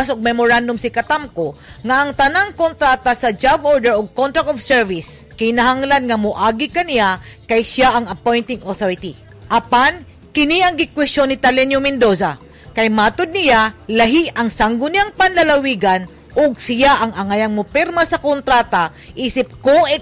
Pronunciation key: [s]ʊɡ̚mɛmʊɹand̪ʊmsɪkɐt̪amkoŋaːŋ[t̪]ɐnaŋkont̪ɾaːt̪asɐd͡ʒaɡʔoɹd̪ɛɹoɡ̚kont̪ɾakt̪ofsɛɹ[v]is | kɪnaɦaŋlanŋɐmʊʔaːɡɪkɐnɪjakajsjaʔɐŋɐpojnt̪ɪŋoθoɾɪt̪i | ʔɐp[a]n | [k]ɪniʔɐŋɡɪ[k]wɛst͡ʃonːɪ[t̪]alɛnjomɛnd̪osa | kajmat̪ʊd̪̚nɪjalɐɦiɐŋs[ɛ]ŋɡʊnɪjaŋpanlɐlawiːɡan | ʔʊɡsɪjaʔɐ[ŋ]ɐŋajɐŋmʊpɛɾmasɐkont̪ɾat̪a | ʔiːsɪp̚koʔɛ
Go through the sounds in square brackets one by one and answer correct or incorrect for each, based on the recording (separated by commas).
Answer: correct, correct, correct, correct, correct, correct, correct, incorrect, correct